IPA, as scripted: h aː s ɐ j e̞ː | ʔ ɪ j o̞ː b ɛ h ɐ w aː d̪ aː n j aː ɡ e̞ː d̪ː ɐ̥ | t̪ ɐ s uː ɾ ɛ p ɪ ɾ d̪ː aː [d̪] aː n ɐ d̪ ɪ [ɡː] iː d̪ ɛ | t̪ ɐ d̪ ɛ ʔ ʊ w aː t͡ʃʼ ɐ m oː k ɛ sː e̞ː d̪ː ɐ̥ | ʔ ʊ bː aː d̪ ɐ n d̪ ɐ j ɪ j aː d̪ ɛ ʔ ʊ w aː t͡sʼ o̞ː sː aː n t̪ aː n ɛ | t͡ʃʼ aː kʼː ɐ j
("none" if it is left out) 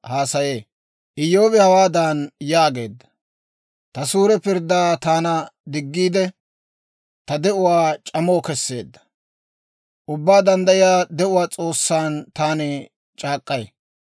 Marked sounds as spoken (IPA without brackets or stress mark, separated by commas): t̪, ɡː